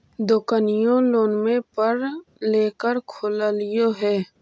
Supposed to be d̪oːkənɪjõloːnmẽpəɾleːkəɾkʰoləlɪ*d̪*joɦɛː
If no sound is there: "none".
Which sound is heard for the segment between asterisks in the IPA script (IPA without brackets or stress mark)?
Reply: none